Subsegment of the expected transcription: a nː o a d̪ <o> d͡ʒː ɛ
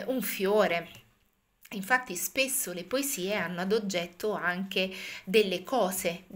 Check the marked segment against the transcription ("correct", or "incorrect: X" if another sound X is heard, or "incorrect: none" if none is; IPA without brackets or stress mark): correct